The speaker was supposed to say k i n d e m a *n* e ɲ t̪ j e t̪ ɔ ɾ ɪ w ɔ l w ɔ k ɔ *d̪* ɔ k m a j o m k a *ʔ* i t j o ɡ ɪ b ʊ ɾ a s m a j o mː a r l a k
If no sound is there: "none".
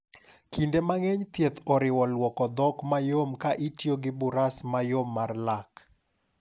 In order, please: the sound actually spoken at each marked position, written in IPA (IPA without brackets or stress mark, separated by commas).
ŋ, d̪, ʔ